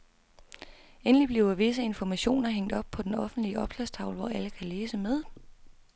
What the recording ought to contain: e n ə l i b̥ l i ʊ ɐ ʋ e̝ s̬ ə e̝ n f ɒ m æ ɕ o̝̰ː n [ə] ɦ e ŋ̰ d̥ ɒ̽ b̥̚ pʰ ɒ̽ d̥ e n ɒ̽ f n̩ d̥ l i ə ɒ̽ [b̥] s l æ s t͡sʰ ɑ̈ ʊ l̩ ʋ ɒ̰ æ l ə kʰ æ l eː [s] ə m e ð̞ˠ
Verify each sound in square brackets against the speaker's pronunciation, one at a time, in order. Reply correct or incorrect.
incorrect: ɐ, correct, correct

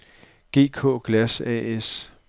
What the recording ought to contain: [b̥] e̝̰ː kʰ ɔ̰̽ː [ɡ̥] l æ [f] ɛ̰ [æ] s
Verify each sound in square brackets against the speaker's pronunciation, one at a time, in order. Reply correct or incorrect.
incorrect: ɡ̥, correct, incorrect: s, incorrect: e

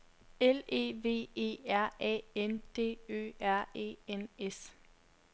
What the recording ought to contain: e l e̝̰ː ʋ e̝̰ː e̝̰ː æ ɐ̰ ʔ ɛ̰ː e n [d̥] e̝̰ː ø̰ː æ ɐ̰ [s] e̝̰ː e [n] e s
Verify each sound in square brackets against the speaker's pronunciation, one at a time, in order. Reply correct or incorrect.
correct, incorrect: none, correct

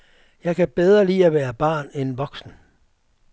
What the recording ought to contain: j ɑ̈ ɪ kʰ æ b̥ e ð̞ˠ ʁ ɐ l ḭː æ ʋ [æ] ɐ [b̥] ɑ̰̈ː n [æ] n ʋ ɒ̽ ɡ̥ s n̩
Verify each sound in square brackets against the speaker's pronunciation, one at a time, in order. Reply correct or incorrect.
incorrect: æː, correct, incorrect: e

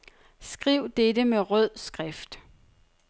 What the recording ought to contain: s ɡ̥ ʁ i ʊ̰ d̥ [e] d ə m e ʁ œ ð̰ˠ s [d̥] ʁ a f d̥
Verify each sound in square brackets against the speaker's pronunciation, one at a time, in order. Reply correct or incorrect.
correct, incorrect: ɡ̥

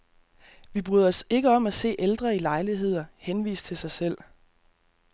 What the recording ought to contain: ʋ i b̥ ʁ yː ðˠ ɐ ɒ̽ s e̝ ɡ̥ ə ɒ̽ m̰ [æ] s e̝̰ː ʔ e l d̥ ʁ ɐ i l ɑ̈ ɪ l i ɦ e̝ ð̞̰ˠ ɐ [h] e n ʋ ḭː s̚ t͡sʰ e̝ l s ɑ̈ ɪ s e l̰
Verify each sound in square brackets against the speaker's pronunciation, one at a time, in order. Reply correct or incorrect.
correct, correct

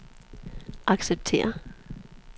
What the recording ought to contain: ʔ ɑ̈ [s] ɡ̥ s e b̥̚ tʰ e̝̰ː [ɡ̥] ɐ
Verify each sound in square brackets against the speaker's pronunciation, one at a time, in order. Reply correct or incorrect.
incorrect: none, incorrect: none

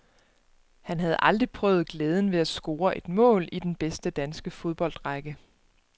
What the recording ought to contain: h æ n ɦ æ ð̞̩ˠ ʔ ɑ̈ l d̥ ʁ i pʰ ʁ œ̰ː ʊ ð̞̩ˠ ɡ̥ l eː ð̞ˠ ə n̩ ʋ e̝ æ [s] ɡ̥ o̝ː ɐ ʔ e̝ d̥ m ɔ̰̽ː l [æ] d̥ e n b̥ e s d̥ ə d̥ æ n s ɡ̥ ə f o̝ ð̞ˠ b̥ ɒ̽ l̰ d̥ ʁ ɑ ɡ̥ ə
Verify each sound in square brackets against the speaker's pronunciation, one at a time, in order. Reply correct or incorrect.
correct, incorrect: i

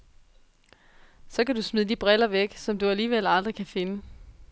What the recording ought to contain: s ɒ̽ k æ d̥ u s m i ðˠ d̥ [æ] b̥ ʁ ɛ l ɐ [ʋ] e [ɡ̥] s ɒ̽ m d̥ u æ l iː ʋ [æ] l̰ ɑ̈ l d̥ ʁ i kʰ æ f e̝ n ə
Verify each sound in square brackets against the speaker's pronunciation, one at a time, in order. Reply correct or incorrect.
incorrect: i, correct, correct, incorrect: e

